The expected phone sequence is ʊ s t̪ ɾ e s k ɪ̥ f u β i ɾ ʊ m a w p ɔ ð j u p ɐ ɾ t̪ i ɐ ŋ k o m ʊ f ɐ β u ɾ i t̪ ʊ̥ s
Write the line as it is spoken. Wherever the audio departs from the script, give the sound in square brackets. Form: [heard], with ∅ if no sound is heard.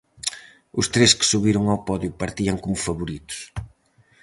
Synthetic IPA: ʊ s t̪ ɾ e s k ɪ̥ [s] u β i ɾ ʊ [ŋ] a w p ɔ ð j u p ɐ ɾ t̪ i ɐ ŋ k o m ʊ f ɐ β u ɾ i t̪ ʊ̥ s